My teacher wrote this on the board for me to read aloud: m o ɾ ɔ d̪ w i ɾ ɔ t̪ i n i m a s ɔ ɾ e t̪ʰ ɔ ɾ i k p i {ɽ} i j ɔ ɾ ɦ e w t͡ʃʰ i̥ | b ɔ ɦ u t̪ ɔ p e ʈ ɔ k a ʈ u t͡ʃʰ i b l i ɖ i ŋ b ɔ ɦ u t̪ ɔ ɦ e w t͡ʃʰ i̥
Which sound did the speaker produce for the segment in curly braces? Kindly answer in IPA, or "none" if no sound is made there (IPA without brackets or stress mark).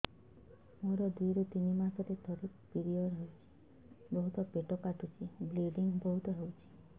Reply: ɾ